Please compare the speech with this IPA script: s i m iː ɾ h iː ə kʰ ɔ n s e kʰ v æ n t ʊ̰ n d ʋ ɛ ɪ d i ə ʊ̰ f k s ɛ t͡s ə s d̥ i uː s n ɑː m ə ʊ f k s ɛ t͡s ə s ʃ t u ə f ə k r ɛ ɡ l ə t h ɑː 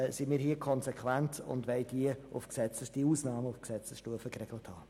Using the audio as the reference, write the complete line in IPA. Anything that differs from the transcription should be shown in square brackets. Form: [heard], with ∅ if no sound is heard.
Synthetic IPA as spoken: s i m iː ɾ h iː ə kʰ ɔ n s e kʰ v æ n t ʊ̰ n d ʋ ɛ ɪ d i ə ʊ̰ f k s ɛ t͡s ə s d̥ i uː s n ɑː m ə ʊ f k s ɛ t͡s ə s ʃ t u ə f ə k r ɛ ɡ l ə t h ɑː